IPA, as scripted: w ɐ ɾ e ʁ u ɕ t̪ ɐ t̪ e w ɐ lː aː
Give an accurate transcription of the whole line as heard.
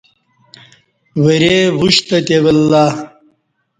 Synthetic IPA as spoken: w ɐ ɾ e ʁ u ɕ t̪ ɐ t̪ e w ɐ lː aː